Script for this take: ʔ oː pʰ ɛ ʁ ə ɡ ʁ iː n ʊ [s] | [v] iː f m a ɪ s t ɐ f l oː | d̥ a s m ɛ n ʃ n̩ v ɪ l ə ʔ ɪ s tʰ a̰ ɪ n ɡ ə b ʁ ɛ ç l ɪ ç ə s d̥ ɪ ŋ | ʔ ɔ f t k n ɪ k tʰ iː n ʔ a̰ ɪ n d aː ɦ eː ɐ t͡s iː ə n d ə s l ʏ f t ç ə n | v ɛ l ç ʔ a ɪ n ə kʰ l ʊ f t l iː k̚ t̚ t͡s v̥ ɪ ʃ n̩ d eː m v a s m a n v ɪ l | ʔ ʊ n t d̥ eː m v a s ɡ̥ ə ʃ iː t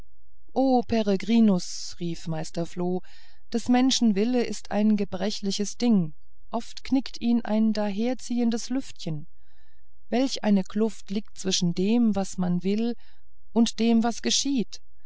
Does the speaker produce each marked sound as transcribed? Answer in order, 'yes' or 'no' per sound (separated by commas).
yes, no